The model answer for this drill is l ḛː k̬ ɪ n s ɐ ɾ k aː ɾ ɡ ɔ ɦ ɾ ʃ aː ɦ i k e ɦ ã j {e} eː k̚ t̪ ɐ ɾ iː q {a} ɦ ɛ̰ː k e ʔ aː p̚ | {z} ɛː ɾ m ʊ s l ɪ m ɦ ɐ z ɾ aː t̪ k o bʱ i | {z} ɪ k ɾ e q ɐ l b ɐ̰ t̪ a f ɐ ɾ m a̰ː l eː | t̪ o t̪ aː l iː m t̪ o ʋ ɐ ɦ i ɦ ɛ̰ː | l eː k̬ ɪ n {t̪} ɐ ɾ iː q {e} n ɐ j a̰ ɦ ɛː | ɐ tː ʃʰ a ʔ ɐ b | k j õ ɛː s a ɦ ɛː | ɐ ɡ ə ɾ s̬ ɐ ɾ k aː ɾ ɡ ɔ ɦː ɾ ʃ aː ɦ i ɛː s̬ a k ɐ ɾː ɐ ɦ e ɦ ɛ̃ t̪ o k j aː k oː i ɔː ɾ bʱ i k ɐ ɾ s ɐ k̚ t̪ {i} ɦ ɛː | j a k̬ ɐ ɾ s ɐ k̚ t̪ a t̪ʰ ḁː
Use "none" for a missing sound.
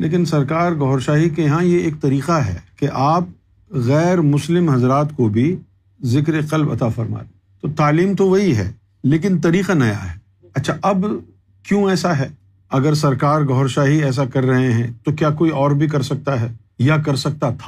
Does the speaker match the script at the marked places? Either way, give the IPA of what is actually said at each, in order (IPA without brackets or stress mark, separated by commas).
e, a, ɣ, z, t̪, a, a